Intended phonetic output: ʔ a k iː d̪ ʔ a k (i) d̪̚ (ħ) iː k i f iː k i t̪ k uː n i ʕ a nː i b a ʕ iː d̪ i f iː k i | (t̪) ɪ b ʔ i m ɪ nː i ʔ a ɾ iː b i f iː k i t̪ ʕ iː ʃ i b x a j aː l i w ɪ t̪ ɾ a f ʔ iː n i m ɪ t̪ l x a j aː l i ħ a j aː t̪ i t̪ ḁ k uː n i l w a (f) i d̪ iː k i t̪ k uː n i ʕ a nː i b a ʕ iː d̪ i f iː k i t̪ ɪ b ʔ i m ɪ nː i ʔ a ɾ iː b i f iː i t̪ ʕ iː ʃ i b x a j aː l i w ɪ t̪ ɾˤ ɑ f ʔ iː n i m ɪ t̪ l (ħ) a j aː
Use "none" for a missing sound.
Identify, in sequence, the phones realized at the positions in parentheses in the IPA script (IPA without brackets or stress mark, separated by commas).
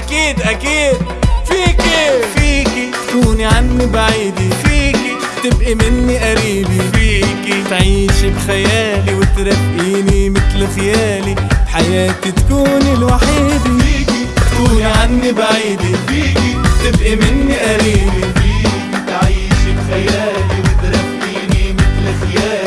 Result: iː, f, t̪, ħ, x